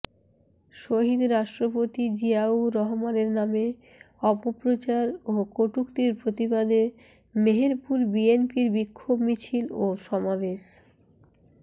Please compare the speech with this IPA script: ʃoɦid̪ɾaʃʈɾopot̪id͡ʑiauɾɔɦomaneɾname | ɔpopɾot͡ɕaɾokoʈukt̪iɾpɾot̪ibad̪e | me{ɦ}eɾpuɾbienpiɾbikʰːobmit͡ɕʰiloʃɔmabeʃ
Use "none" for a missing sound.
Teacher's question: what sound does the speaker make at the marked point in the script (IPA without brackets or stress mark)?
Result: ɦ